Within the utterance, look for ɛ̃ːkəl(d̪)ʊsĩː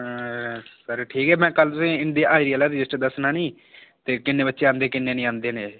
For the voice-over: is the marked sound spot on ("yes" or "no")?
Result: no